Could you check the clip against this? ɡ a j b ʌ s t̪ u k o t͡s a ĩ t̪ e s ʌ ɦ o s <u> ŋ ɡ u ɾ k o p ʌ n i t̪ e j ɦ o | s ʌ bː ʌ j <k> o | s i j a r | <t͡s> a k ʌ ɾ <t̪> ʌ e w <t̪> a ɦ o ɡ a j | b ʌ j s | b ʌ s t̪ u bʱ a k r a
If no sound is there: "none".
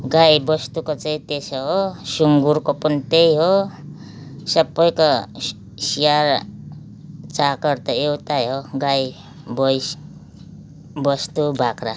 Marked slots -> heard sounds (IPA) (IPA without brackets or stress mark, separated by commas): u, k, t͡s, t̪, t̪